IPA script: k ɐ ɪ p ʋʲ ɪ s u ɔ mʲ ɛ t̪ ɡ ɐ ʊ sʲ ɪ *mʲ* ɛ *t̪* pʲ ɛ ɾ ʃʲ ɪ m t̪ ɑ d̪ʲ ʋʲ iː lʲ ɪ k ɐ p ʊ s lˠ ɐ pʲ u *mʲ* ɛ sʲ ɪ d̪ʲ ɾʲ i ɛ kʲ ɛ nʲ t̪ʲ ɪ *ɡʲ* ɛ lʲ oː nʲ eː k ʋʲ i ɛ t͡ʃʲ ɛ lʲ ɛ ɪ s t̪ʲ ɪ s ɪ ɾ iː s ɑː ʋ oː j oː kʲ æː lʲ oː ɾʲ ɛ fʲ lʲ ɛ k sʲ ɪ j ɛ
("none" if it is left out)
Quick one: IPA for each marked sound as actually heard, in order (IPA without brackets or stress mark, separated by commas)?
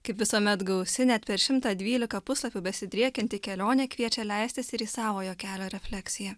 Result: nʲ, t̪, bʲ, kʲ